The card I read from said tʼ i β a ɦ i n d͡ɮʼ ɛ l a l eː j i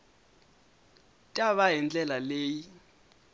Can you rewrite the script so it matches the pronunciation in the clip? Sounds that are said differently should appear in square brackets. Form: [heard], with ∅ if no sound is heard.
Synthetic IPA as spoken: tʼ [a] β a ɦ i n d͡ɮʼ ɛ l a l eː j i